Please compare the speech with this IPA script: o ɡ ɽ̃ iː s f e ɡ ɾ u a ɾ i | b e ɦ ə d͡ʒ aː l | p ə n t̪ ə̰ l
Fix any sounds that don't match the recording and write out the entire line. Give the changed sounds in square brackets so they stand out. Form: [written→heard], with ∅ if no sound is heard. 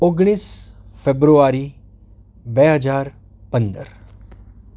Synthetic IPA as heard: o ɡ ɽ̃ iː s f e [ɡ→b] ɾ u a ɾ i | b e ɦ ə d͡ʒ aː [l→ɾ] | p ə n [t̪→d̪] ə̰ [l→ɾ]